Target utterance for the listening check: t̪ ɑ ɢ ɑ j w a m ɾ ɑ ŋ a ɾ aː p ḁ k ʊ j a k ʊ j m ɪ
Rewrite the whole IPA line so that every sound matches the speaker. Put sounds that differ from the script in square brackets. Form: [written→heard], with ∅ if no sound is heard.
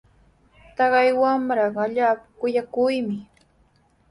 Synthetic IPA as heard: t̪ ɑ ɢ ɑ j w a m ɾ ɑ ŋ a [ɾ→ʎ] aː p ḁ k ʊ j a k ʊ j m ɪ